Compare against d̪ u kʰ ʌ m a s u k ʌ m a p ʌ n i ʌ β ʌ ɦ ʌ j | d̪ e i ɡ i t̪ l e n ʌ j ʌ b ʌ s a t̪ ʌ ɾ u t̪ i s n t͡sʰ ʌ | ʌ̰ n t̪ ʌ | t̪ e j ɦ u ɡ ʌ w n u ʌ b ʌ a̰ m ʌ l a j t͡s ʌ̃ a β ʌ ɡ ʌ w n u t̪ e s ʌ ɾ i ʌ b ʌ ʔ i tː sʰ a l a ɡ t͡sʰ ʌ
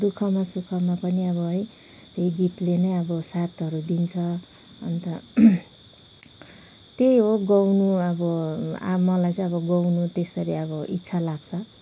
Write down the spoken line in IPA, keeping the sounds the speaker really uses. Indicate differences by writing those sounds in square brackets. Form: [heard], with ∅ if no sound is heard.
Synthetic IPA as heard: d̪ u kʰ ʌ m a s u [kʰ] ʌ m a p ʌ n i ʌ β ʌ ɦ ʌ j | [t̪] e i ɡ i t̪ l e n ʌ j ʌ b ʌ s a t̪ ʌ ɾ u [d̪] i [∅] n t͡sʰ ʌ | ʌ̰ n t̪ ʌ | t̪ e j ɦ [o] ɡ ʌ w n u ʌ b ʌ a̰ m ʌ l a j t͡s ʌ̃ [ʌ] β ʌ ɡ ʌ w n u t̪ e s ʌ ɾ i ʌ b ʌ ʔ i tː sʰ a l a ɡ t͡sʰ ʌ